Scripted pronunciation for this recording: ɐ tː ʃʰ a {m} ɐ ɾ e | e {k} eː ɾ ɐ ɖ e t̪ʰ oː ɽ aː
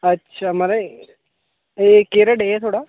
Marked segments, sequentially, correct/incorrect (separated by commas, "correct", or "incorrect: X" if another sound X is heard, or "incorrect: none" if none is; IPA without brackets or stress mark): correct, correct